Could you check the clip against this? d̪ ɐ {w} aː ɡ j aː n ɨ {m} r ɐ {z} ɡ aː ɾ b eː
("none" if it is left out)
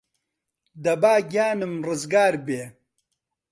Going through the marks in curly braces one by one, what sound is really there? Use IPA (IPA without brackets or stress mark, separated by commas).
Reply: b, m, z